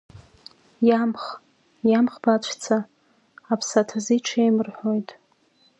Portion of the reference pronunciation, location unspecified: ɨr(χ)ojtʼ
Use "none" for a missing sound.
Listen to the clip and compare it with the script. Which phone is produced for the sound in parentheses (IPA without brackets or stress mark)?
ħ